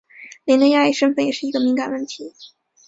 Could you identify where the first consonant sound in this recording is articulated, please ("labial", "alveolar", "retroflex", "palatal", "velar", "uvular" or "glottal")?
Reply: alveolar